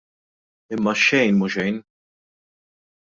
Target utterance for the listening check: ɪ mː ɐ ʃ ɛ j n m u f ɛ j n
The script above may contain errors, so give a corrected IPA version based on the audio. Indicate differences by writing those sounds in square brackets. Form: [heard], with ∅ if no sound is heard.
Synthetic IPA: ɪ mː ɐ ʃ ɛ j n m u [ʃ] ɛ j n